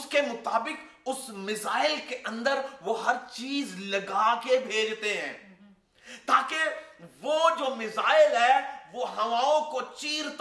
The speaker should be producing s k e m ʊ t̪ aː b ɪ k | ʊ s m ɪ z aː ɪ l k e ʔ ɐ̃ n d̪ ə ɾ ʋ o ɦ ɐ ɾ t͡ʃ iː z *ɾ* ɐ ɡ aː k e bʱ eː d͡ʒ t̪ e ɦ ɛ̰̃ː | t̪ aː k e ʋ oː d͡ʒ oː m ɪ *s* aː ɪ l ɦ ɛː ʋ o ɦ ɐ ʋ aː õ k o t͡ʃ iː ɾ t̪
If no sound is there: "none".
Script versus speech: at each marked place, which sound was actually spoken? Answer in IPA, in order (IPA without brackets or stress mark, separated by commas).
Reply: l, z